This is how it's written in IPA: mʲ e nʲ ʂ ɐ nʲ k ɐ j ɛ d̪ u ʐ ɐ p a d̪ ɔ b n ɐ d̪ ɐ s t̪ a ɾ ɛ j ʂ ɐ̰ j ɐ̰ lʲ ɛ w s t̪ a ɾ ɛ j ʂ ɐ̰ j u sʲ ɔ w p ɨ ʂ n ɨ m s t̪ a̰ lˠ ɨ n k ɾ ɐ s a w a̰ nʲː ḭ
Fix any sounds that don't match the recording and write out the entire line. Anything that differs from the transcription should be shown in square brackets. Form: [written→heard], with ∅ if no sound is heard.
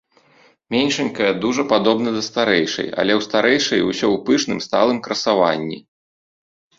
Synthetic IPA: mʲ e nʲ ʂ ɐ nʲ k ɐ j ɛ d̪ u ʐ ɐ p a d̪ ɔ b n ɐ d̪ ɐ s t̪ a ɾ ɛ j ʂ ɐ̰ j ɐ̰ lʲ ɛ w s t̪ a ɾ ɛ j ʂ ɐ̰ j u sʲ ɔ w p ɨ ʂ n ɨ m s t̪ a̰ lˠ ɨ [n→m] k ɾ ɐ s a [w→v] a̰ nʲː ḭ

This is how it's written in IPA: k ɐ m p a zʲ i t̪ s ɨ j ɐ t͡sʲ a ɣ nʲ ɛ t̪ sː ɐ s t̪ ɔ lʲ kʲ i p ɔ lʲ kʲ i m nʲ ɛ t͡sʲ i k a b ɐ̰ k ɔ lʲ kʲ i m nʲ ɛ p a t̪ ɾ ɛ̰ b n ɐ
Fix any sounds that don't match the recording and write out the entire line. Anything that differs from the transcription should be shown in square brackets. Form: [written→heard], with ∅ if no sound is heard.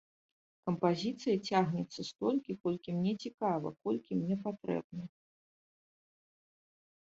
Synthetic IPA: k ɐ m p a zʲ i t̪ s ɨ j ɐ t͡sʲ a ɣ nʲ ɛ t̪ sː ɐ s t̪ ɔ lʲ kʲ i [p→k] ɔ lʲ kʲ i m nʲ ɛ t͡sʲ i k a [b→v] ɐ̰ k ɔ lʲ kʲ i m nʲ ɛ p a t̪ ɾ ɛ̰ b n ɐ

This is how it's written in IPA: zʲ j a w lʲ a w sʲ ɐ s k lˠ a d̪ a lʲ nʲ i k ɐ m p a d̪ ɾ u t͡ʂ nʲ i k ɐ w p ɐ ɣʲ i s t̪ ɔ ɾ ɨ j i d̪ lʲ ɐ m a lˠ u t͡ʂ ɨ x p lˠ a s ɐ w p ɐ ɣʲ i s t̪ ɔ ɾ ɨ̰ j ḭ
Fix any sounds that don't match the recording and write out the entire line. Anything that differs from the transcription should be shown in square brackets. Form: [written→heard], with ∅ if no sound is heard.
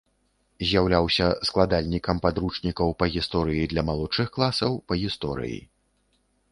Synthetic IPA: zʲ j a w lʲ a w sʲ ɐ s k lˠ a d̪ a lʲ nʲ i k ɐ m p a d̪ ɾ u t͡ʂ nʲ i k ɐ w p ɐ ɣʲ i s t̪ ɔ ɾ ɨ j i d̪ lʲ ɐ m a lˠ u t͡ʂ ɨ x [p→k] lˠ a s ɐ w p ɐ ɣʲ i s t̪ ɔ ɾ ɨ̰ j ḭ

